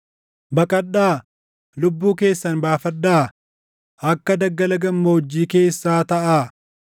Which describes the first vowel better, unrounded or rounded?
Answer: unrounded